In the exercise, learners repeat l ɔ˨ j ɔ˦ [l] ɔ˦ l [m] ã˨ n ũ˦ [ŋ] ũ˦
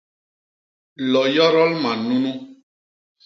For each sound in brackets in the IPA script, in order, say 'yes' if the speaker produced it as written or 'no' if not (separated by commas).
no, yes, no